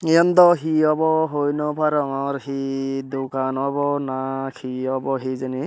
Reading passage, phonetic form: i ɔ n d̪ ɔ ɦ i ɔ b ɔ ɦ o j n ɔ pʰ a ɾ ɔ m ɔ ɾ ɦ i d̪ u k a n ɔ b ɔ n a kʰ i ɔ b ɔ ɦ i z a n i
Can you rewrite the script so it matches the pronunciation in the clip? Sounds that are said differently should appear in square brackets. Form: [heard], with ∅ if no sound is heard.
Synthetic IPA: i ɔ n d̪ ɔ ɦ i ɔ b ɔ ɦ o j n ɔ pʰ a ɾ ɔ [ŋ] ɔ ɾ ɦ i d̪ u k a n ɔ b ɔ n a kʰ i ɔ b ɔ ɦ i z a n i